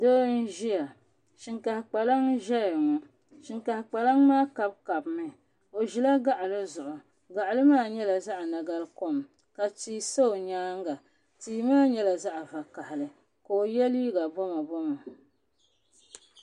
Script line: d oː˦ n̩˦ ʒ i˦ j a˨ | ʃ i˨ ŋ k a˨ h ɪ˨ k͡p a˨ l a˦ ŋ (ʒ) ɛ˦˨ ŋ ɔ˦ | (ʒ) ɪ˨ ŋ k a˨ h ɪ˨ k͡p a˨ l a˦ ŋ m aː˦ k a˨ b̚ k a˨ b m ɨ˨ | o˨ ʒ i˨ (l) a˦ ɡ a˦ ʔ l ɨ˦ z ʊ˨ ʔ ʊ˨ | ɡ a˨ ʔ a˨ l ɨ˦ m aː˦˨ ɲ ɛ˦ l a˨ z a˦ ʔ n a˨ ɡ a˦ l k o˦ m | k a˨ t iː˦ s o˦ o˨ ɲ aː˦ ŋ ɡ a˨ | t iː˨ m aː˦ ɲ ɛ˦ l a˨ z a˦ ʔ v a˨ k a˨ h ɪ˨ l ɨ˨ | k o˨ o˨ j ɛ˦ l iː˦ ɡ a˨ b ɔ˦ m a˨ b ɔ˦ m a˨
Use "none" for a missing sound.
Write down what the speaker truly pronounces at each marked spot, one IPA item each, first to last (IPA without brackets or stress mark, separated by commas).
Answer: ʒ, ʃ, l